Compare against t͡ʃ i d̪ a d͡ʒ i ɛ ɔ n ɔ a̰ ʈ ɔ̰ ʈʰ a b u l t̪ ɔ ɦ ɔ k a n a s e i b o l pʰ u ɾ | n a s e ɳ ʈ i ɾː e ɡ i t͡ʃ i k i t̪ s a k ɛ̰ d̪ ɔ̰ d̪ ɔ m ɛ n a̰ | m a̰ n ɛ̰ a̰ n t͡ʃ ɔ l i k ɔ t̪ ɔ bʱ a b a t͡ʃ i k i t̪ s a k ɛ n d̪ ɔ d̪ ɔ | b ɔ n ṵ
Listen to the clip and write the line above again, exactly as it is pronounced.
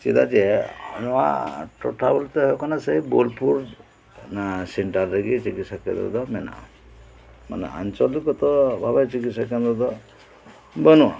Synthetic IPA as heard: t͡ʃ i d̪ a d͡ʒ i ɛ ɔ n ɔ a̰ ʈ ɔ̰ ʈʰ a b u l t̪ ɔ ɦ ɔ k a n a s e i b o l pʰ u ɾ | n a s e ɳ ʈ a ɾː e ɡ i t͡ʃ i k i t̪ s a k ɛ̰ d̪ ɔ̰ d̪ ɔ m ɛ n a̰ | m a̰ n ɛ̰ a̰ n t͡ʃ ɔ l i k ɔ t̪ ɔ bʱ a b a t͡ʃ i k i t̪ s a k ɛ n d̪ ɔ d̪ ɔ | b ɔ n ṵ

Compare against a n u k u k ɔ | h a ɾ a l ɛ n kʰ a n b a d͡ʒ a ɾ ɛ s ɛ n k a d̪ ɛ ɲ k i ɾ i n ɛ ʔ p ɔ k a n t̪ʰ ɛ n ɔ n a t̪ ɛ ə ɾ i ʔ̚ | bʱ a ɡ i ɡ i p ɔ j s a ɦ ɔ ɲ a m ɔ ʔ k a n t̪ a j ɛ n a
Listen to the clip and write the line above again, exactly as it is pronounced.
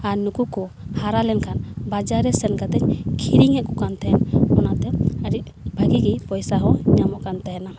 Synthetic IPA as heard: a n u k u k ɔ | h a ɾ a l ɛ n kʰ a n b a d͡ʒ a ɾ ɛ s ɛ n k a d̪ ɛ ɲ kʰ i ɾ i ŋ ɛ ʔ k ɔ k a n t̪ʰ ɛ n ɔ n a t̪ ɛ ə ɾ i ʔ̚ | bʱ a ɡ i ɡ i p ɔ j s a ɦ ɔ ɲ a m ɔ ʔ k a n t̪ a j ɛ n a

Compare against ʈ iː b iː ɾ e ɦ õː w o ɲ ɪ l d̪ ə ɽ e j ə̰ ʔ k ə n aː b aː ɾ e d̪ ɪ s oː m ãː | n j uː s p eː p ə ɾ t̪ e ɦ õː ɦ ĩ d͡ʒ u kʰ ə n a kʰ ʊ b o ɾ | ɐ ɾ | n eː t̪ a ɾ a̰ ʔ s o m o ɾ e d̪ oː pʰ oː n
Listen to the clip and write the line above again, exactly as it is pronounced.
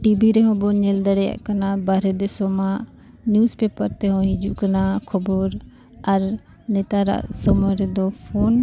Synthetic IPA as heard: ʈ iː b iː ɾ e ɦ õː b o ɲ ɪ l d̪ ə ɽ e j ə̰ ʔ k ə n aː b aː ɾ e d̪ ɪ s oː m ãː | n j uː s p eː p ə ɾ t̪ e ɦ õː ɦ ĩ d͡ʒ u k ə n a kʰ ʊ b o ɾ | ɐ ɾ | n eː t̪ a ɾ a̰ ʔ s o m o ɾ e d̪ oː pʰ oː n

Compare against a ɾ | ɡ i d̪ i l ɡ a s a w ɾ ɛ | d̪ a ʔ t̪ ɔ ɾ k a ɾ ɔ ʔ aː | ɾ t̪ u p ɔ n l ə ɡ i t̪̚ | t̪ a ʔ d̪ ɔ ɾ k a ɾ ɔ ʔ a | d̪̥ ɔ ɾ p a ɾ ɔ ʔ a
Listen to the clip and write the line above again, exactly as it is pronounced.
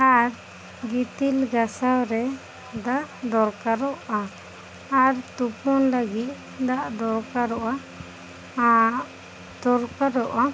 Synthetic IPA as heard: a ɾ | ɡ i t̪ i l ɡ a s a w ɾ ɛ | d̪ a ʔ d̪ ɔ ɾ k a ɾ ɔ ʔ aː | ɾ t̪ u p ɔ n l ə ɡ i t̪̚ | d̪ a ʔ d̪ ɔ ɾ k a ɾ ɔ ʔ a | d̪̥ ɔ ɾ k a ɾ ɔ ʔ a

